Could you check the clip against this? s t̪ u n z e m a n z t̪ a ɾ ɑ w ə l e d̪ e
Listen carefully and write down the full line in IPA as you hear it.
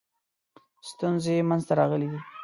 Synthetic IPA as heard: s t̪ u n z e m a n z t̪ a ɾ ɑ ɣ ə l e d̪ i